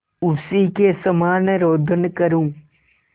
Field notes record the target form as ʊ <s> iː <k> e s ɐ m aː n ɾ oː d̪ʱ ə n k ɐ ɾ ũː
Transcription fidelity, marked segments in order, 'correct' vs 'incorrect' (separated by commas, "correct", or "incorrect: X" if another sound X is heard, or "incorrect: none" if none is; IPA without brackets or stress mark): correct, correct